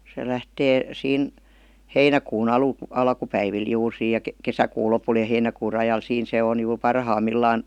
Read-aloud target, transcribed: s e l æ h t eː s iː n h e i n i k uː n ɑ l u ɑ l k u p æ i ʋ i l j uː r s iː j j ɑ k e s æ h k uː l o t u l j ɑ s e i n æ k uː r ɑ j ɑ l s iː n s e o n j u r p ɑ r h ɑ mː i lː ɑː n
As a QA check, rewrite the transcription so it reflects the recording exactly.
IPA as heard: s e l æ h t eː s iː n h e i n æ k uː n ɑ l u ɑ l k u p æ i ʋ i l j uː r s iː j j ɑ k e s æ k uː l o p u l j ɑ h e i n æ k uː r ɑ j ɑ l s iː n s e o n j u r p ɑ r h ɑ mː i lː ɑː n